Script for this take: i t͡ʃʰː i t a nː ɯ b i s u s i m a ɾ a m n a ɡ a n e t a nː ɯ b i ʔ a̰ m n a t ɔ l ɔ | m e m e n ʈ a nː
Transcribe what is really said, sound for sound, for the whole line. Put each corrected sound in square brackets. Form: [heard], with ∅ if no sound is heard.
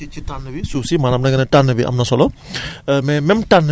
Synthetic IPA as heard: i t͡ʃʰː i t a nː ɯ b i s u s i m a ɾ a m n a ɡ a n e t a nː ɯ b i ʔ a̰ m n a [s] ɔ l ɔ | m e m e [m] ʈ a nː